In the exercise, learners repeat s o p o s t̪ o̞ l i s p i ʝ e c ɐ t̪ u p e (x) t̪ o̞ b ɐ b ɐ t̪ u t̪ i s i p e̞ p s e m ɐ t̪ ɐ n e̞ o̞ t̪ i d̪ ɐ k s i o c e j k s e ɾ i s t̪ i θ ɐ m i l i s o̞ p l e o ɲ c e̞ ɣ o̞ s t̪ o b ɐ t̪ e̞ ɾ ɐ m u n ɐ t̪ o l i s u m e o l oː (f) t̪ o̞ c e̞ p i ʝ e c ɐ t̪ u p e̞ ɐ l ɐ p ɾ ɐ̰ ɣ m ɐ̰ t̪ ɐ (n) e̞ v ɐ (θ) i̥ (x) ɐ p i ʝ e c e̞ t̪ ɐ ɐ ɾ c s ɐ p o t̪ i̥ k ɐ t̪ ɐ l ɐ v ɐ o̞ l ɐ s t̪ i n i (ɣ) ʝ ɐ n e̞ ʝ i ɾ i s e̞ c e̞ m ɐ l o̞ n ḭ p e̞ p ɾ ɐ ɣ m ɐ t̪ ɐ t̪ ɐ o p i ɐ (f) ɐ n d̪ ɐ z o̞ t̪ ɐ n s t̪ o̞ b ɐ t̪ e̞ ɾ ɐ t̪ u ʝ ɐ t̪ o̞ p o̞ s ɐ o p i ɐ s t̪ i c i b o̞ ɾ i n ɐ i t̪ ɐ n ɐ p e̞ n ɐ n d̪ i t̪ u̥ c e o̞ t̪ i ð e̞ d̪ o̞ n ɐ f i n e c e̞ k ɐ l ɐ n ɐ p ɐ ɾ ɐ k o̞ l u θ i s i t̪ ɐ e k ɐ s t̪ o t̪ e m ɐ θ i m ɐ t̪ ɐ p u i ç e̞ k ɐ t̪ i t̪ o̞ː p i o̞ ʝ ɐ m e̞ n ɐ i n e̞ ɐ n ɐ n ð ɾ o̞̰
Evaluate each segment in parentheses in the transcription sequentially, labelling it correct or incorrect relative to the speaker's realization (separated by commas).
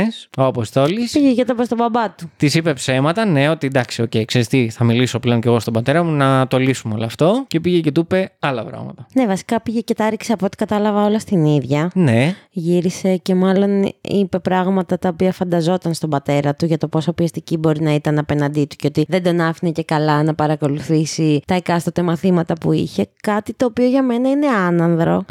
incorrect, correct, correct, incorrect, incorrect, incorrect, correct